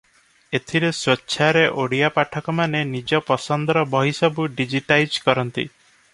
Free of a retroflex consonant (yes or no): no